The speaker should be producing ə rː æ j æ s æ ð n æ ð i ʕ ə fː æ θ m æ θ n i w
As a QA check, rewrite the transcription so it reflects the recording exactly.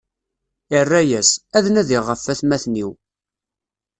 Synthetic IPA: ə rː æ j æ s æ ð n æ ð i ʁ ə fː æ θ m æ θ n i w